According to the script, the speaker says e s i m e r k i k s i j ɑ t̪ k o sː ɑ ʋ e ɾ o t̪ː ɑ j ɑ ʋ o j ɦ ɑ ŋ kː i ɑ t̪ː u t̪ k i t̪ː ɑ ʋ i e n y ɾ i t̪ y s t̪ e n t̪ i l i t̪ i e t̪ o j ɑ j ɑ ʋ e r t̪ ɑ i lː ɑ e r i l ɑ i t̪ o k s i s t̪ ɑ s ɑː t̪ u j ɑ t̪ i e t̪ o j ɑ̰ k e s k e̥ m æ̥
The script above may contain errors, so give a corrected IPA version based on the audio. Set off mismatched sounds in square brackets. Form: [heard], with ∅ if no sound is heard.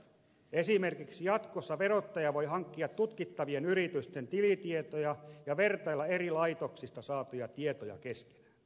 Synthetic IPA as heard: e s i m e r k i k s i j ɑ t̪ k o sː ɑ ʋ e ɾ o t̪ː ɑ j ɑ ʋ o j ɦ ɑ ŋ kː i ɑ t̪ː u t̪ k i t̪ː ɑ ʋ i e n y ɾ i t̪ y s t̪ e n t̪ i l i t̪ i e t̪ o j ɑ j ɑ ʋ e r t̪ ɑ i lː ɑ e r i l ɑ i t̪ o k s i s t̪ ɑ s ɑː t̪ u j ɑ t̪ i e t̪ o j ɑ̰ k e s k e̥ [n] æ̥

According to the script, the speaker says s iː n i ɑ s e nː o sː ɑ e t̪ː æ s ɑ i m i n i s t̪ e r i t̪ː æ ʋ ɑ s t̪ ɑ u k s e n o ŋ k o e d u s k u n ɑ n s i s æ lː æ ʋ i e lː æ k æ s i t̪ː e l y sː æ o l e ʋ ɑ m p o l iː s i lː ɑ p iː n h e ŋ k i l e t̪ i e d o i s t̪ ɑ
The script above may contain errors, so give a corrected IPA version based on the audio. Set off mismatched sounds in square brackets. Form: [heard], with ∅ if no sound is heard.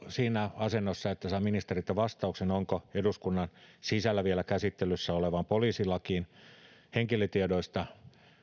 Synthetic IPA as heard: s iː n [æ] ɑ s e nː o sː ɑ e t̪ː æ s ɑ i m i n i s t̪ e r i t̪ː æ ʋ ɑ s t̪ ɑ u k s e n o ŋ k o e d u s k u [nː] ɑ n s i s æ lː æ ʋ i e [l] æ k æ s i t̪ː e l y sː æ o l e ʋ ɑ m p o l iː s i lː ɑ [k] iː n h e ŋ k i l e t̪ i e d o i s t̪ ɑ

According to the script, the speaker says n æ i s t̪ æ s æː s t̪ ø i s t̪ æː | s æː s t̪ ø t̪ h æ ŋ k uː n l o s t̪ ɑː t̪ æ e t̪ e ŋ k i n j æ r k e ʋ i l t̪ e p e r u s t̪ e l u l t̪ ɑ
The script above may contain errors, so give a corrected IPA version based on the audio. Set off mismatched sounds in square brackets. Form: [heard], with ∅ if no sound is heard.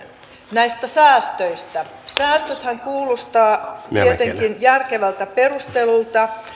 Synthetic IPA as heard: n æ i s t̪ æ s æː s t̪ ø i s t̪ [æ] | s æː s t̪ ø t̪ h æ ŋ k uː [∅] l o s t̪ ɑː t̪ [i] e t̪ e ŋ k i n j æ r k e ʋ [æ] l t̪ [æ] p e r u s t̪ e l u l t̪ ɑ

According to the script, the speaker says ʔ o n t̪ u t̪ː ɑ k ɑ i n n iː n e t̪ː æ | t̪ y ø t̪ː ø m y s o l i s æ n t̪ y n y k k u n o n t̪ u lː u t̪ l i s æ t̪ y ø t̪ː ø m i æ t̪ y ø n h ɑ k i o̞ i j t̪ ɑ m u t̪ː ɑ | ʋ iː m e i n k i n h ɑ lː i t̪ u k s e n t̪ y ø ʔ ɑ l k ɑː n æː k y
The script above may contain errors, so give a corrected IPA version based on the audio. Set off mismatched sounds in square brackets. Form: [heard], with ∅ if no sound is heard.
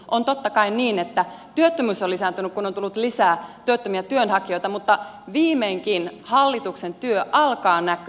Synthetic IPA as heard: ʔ o n t̪ [o] t̪ː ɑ k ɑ i n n iː n e t̪ː æ | t̪ y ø t̪ː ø m y s o l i s æ n t̪ y n y k k u n o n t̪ u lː u t̪ l i s [æː] t̪ y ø t̪ː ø m i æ t̪ y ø n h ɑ k i o̞ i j t̪ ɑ m u t̪ː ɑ | ʋ iː m e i [ŋ] k i n h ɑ lː i t̪ u k s e n t̪ y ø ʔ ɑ l k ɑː n [æ] k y

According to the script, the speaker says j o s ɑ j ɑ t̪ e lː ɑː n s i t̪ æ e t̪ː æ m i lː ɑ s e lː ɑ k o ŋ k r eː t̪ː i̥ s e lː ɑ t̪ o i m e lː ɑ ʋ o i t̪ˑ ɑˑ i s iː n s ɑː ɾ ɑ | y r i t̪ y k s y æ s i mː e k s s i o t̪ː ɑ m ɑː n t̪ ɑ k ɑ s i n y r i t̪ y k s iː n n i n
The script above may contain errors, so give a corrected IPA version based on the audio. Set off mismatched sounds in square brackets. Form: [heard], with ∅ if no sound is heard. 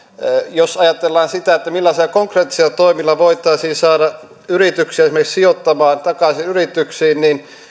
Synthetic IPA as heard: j o s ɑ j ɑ t̪ e lː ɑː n s i t̪ æ e t̪ː æ m i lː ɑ s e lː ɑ k o ŋ k r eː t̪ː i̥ s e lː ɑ t̪ o i m [i] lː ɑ ʋ o i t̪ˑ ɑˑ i s iː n s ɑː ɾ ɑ | y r i t̪ y k s [i] æ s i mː e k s s i o t̪ː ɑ m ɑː n t̪ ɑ k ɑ s i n y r i t̪ y k s iː n n i n

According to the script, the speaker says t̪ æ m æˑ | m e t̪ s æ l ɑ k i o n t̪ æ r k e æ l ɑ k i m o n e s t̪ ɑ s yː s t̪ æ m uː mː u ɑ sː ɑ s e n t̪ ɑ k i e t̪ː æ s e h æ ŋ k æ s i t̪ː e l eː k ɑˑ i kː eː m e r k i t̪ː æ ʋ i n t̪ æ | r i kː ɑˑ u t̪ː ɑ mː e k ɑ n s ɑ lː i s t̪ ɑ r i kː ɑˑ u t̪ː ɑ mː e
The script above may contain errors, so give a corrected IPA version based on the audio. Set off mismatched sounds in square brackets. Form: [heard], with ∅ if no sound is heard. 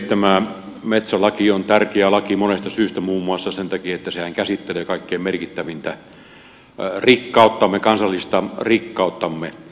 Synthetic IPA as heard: t̪ æ m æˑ | m e t̪ s æ l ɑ k i o n t̪ æ r k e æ l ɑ k i m o n e s t̪ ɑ s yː s t̪ æ m uː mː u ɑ sː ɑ s e n t̪ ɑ k i e t̪ː æ s e h æ ŋ k æ s i t̪ː e l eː k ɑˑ i kː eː m e r k i t̪ː æ ʋ i n t̪ æ | r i kː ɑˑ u t̪ː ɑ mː e k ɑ n s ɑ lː i s t̪ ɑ r i kː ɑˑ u t̪ː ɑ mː e

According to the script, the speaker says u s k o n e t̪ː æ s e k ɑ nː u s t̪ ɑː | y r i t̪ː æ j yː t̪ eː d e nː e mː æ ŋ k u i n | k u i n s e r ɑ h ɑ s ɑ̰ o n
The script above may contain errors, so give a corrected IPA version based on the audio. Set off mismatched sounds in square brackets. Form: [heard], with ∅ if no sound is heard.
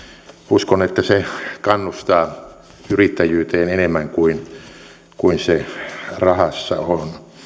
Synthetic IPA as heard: u s k o n e t̪ː æ s e k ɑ nː u s t̪ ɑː | y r i t̪ː æ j yː t̪ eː [n] e [n] e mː æ ŋ k u i n | k u i n s e r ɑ h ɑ [sː] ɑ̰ o n

